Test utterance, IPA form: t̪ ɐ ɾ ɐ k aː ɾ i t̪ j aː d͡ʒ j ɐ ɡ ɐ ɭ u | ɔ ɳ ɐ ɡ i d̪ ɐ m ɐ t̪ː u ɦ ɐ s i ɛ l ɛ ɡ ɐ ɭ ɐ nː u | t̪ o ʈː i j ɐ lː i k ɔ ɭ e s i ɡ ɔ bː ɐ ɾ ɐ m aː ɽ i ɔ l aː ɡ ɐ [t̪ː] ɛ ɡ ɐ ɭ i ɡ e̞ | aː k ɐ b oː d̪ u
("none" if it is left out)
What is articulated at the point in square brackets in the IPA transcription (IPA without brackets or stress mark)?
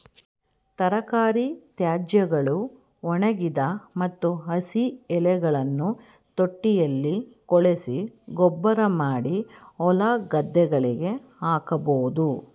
d̪ː